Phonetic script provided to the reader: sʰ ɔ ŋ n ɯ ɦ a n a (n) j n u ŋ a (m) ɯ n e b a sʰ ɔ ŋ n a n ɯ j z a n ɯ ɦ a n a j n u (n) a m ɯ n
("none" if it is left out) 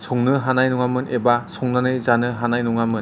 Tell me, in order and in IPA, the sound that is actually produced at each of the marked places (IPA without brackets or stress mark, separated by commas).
none, m, ŋ